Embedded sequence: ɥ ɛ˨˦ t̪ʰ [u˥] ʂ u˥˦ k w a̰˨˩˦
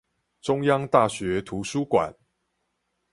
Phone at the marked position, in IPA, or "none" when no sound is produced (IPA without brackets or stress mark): u˨˦